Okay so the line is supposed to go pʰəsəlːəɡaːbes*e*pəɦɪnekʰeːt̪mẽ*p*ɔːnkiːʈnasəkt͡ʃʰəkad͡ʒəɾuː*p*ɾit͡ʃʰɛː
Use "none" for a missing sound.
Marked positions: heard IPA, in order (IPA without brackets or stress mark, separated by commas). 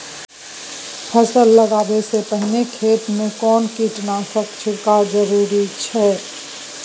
e, k, none